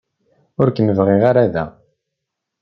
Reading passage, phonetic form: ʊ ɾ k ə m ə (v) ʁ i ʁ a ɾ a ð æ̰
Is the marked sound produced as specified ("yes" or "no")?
yes